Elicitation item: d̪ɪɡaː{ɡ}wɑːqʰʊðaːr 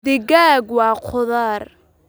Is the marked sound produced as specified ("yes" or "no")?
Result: yes